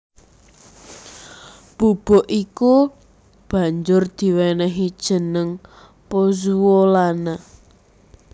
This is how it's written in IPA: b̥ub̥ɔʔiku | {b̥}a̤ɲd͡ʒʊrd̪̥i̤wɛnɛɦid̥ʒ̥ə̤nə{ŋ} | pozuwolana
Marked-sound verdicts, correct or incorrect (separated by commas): correct, correct